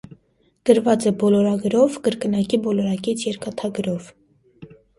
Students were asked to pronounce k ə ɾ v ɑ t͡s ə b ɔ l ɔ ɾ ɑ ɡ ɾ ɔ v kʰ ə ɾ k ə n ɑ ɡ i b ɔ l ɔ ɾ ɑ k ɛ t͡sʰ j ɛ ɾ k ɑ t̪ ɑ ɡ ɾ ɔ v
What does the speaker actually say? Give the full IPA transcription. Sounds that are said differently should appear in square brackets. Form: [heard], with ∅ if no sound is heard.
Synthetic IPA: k ə ɾ v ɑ t͡s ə b ɔ l ɔ ɾ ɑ ɡ ɾ ɔ v [k] ə ɾ k ə n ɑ [k] i b ɔ l ɔ ɾ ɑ k ɛ t͡sʰ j ɛ ɾ k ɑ [t̪ʰ] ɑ ɡ ɾ ɔ v